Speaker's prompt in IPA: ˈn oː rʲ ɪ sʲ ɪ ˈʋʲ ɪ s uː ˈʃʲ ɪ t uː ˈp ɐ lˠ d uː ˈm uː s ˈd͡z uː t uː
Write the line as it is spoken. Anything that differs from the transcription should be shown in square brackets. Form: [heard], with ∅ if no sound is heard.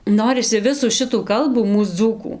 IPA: ˈn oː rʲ ɪ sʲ ɪ ˈʋʲ ɪ s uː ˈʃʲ ɪ t uː [ˈk] ɐ lˠ [b] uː ˈm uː s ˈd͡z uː [k] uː

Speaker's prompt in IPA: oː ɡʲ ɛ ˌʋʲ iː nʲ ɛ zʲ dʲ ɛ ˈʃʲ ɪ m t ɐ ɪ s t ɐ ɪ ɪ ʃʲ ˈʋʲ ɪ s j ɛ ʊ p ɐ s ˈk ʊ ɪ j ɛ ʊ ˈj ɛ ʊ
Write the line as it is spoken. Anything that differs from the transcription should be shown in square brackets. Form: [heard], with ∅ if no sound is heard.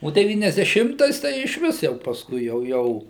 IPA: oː [dʲ] ɛ ˌʋʲ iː nʲ ɛ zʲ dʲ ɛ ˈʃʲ ɪ m t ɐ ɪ s t ɐ ɪ ɪ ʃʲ ˈʋʲ ɪ s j ɛ ʊ p ɐ s ˈk ʊ ɪ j ɛ ʊ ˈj ɛ ʊ

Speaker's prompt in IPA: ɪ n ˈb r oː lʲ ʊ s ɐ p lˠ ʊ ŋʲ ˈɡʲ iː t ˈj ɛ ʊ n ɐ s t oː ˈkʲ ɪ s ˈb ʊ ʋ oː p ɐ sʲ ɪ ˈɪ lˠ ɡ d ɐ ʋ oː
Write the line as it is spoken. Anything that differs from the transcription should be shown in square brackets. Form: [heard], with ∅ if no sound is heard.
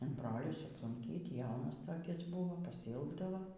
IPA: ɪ n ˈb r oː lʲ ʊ s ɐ p lˠ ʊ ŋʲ [ˈkʲ] iː t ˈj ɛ ʊ n ɐ s t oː ˈkʲ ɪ s ˈb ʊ ʋ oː p ɐ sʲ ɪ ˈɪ lˠ ɡ d ɐ ʋ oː

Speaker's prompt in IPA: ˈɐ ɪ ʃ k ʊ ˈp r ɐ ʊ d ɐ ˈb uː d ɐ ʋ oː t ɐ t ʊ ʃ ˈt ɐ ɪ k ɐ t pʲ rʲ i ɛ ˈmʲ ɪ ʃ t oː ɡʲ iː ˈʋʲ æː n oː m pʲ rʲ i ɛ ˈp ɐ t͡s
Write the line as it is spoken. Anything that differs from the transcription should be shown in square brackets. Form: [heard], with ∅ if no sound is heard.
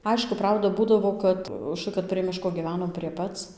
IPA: ˈɐ ɪ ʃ k ʊ ˈp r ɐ ʊ d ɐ ˈb uː d ɐ ʋ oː [k] ɐ t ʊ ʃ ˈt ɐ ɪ k ɐ t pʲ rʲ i ɛ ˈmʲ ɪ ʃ [k] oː ɡʲ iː ˈʋʲ æː n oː m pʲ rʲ i ɛ ˈp ɐ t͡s

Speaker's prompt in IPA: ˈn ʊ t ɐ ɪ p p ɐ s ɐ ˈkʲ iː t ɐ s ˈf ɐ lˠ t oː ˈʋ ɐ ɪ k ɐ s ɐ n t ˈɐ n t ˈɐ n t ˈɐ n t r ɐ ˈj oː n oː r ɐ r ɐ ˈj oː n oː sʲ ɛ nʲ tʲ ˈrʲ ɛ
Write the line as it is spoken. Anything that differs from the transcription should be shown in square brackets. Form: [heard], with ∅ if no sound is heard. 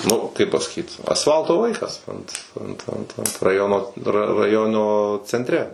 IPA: ˈn ʊ [k] ɐ ɪ p p ɐ s ɐ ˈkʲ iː t ɐ s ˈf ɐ lˠ t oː ˈʋ ɐ ɪ k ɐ s ɐ n t ˈɐ n t ˈɐ n t ˈɐ n t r ɐ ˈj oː n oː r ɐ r ɐ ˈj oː n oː [t͡sʲ] ɛ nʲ tʲ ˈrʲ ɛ

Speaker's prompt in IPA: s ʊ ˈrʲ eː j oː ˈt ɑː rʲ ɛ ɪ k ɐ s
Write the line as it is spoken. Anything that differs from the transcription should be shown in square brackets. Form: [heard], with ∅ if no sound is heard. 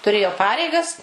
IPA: [t] ʊ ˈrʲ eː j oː [ˈp] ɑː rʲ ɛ ɪ [ɡ] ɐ s

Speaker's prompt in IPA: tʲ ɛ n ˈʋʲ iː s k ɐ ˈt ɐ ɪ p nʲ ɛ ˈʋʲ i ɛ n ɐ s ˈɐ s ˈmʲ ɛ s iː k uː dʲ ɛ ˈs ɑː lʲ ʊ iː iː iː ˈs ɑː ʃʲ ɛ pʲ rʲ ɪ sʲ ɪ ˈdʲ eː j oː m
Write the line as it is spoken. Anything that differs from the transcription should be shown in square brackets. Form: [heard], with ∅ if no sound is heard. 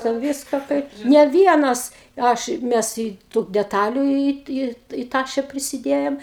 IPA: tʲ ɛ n ˈʋʲ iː s k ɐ [ˈk] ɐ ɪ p nʲ ɛ ˈʋʲ i ɛ n ɐ s ˈɐ [ʃ] ˈmʲ ɛ s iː [t] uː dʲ ɛ [ˈt] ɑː lʲ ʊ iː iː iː [ˈt] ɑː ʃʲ ɛ pʲ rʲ ɪ sʲ ɪ ˈdʲ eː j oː m

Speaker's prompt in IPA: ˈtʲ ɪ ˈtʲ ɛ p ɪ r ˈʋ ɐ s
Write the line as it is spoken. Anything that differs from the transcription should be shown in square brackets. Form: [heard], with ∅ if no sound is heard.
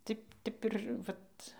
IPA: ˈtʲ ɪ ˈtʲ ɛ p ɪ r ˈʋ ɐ [t]

